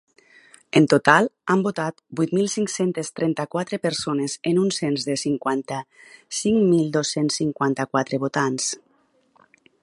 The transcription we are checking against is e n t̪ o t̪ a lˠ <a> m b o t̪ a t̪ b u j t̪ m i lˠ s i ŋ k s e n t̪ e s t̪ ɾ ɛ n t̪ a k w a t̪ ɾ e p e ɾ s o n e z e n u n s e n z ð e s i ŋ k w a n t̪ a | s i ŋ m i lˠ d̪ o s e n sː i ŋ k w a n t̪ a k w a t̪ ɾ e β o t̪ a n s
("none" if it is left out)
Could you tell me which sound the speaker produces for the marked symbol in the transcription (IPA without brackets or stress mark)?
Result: a